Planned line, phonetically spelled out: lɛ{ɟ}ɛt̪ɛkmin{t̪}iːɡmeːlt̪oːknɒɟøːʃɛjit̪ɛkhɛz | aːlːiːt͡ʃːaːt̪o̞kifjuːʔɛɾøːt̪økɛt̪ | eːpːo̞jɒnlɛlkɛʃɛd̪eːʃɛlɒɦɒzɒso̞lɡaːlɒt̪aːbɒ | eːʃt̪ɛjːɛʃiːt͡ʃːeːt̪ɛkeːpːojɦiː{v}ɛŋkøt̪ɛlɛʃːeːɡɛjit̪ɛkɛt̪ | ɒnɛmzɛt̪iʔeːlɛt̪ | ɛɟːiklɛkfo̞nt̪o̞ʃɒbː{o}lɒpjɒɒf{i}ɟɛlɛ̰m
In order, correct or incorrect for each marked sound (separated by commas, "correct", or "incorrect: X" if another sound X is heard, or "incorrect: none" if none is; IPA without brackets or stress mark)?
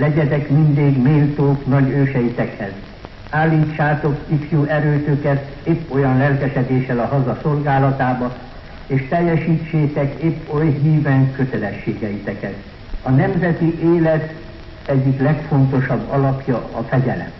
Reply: correct, incorrect: d̪, correct, incorrect: ɒ, incorrect: ɛ